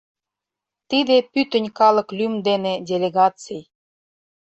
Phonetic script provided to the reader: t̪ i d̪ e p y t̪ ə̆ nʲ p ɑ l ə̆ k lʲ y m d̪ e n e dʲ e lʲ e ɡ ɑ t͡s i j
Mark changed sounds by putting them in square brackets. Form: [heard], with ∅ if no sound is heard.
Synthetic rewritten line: t̪ i d̪ e p y t̪ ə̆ nʲ [k] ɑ l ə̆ k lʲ y m d̪ e n e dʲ e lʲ e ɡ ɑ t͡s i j

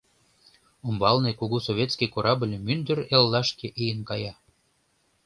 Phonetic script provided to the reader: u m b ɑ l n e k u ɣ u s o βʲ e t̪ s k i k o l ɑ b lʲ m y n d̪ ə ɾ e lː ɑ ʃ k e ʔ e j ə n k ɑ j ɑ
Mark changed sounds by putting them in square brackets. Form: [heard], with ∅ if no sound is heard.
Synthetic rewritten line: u m b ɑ l n e k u ɣ u s o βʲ e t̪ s k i k o [ɾ] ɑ b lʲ m y n d̪ ə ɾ e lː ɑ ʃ k e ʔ e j ə n k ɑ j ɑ

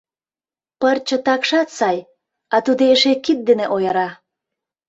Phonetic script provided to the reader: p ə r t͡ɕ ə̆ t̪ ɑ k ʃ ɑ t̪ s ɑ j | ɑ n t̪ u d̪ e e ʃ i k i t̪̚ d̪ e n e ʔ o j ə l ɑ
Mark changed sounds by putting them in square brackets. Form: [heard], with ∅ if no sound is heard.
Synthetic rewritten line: p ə r t͡ɕ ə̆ t̪ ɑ k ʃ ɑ t̪ s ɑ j | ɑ [∅] t̪ u d̪ e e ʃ [e] k i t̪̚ d̪ e n e ʔ o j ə [ɾ] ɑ

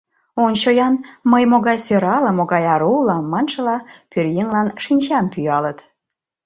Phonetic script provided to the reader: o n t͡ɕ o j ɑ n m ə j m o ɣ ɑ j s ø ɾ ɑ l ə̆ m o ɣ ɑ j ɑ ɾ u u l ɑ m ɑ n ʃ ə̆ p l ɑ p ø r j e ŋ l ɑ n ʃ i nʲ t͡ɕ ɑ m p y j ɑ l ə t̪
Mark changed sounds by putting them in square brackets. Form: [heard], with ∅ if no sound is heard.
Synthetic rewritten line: o n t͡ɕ o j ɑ n m ə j m o ɣ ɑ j s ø ɾ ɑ l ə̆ m o ɣ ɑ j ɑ ɾ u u l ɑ m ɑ n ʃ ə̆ [∅] l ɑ p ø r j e ŋ l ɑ n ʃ i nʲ t͡ɕ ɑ m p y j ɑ l ə t̪

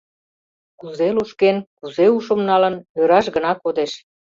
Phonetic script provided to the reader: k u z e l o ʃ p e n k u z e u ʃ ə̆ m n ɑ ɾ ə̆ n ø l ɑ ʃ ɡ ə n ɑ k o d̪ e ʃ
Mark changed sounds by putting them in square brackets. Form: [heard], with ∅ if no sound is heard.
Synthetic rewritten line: k u z e l [u] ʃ [k] e n k u z e u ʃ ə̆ m n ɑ [l] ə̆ n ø [ɾ] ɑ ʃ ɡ ə n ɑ k o d̪ e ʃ

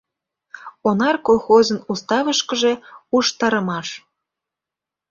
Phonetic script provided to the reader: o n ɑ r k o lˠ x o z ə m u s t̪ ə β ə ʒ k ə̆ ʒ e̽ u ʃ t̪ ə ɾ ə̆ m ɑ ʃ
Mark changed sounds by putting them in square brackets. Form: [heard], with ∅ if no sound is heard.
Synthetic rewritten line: o n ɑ r k o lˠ x o z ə [n] u s t̪ [ɑ] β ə [ʃ] k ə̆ ʒ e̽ u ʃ t̪ [ɑ] ɾ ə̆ m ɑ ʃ

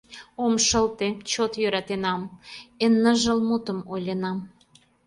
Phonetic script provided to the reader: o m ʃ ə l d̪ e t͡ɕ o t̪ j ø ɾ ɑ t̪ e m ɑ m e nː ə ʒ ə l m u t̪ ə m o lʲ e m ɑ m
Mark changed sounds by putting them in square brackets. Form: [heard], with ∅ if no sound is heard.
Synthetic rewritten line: o m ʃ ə l [t̪] e t͡ɕ o t̪ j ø ɾ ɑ t̪ e [n] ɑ m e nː ə ʒ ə l m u t̪ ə m o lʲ e [n] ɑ m

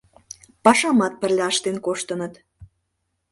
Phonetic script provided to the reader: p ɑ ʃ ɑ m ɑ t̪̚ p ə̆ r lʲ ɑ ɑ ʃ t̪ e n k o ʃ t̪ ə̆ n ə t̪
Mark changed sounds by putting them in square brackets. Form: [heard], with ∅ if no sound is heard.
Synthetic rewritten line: p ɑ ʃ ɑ m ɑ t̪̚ p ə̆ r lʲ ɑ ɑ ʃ t̪ e n k o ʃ t̪ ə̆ n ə t̪

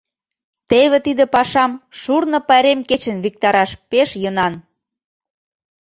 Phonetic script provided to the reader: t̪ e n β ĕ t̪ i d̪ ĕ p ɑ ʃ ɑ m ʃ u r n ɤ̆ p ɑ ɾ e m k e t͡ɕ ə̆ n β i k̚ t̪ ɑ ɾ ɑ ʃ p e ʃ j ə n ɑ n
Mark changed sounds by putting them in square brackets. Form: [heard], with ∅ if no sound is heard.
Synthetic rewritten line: t̪ e [∅] β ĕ t̪ i d̪ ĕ p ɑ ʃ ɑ m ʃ u r n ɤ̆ p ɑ ɾ e m k e t͡ɕ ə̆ n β i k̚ t̪ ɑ ɾ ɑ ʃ p e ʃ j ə n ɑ n

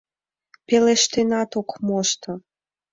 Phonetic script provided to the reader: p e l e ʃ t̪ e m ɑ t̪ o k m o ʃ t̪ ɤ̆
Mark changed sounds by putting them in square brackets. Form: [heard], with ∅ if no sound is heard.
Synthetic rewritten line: p e l e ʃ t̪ e [n] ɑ t̪ o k m o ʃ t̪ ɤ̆

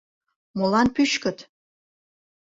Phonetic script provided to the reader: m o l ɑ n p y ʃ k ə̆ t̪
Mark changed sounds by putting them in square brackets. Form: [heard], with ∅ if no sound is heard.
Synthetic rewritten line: m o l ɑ n p y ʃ k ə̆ t̪

